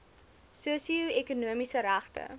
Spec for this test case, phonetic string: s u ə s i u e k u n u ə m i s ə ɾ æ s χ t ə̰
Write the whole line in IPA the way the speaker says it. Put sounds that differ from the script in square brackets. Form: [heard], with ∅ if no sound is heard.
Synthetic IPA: s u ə s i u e k u n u ə m i s ə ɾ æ [∅] χ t ə̰